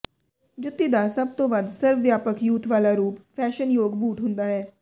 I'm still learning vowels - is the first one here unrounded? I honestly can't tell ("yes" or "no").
no